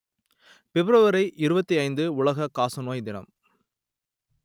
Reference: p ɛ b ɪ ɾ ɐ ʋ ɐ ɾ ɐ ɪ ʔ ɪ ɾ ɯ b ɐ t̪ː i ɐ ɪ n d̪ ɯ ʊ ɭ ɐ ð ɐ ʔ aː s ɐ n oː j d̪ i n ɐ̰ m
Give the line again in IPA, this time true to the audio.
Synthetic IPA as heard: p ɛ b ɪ ɾ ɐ ʋ ɐ ɾ ɐ ɪ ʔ ɪ ɾ ɯ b ɐ t̪ː i ɐ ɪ n d̪ ɯ ʊ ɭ ɐ ɣ ɐ k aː s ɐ n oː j d̪ ɪ n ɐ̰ m